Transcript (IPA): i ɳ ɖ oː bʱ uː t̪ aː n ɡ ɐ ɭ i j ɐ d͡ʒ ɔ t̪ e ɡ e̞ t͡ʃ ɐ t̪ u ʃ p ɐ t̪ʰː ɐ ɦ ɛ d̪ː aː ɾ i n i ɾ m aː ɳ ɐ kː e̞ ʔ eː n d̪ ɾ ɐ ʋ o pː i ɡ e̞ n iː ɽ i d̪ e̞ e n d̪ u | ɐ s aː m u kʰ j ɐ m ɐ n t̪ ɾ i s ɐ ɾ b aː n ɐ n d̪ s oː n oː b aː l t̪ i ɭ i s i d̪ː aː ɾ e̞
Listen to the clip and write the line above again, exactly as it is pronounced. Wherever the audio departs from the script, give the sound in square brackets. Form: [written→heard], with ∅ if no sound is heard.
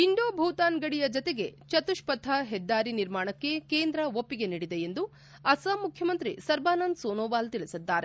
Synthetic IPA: i ɳ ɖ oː bʱ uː t̪ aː n ɡ ɐ [ɭ→ɽ] i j ɐ d͡ʒ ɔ t̪ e ɡ e̞ t͡ʃ ɐ t̪ u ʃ p ɐ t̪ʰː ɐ ɦ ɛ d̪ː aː ɾ i n i ɾ m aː ɳ ɐ kː e̞ [ʔ→k] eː n d̪ ɾ ɐ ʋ o pː i ɡ e̞ n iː ɽ i d̪ e̞ e n d̪ u | ɐ s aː m u kʰ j ɐ m ɐ n t̪ ɾ i s ɐ ɾ b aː n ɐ n d̪ s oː n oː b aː l t̪ i ɭ i s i d̪ː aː ɾ e̞